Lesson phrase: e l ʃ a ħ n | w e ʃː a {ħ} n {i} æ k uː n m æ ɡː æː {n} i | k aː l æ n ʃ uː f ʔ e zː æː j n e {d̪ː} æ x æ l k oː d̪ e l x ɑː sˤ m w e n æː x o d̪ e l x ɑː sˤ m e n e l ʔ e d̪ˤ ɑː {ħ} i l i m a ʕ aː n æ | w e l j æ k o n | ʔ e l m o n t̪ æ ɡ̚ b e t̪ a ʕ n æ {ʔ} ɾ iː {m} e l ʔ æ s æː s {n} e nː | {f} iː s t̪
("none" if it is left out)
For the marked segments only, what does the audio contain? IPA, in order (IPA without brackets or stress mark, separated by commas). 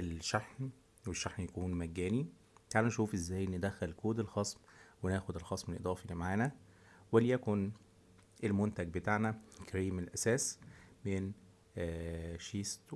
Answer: ħ, j, n, d̪, f, k, m, m, ʃ